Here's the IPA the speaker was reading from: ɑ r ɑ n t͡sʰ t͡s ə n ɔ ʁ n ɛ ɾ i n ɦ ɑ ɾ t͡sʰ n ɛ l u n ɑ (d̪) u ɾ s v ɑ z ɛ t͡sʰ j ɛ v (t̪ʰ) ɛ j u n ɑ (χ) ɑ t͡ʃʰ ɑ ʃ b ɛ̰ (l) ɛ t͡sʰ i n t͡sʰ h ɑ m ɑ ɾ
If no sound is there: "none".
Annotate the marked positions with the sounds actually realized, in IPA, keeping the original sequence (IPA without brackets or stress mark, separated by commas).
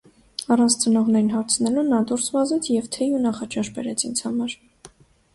d̪, t̪ʰ, χ, ɾ